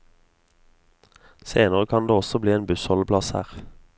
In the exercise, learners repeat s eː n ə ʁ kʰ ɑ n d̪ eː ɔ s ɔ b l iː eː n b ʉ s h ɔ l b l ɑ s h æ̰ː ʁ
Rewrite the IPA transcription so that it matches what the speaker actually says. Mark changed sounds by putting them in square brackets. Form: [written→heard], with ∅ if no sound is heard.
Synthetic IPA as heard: s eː n ə ʁ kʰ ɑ n d̪ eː ɔ s ɔ b l iː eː n b ʉ s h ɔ l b l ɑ s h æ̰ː ʁ